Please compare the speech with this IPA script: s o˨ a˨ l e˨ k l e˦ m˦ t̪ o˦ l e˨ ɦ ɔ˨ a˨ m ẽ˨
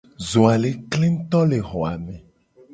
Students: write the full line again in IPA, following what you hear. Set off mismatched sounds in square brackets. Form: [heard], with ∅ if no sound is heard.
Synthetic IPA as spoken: [z] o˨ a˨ l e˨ k l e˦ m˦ t̪ [ɔ˦] l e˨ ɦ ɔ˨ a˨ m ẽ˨